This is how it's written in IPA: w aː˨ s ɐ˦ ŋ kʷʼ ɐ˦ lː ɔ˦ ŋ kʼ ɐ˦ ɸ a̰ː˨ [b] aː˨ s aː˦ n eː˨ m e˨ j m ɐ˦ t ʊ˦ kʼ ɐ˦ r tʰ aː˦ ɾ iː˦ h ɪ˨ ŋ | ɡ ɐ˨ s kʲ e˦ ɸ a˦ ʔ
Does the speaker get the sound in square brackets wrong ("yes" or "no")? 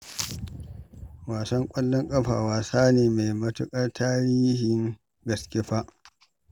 yes